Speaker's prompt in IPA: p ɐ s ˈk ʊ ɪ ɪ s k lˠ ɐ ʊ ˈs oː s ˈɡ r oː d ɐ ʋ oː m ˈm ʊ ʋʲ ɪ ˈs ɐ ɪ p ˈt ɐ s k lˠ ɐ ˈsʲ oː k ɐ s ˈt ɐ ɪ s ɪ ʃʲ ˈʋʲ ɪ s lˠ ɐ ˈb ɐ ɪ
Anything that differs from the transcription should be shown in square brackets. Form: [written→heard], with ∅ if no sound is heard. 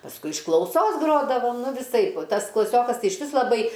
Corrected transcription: p ɐ s ˈk ʊ ɪ ɪ [s→ʃ] k lˠ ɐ ʊ ˈs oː s ˈɡ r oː d ɐ ʋ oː m [ˈm→ˈn] ʊ ʋʲ ɪ ˈs ɐ ɪ p ˈt ɐ s k lˠ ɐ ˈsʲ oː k ɐ s ˈt ɐ ɪ [s→∅] ɪ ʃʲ ˈʋʲ ɪ s lˠ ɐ ˈb ɐ ɪ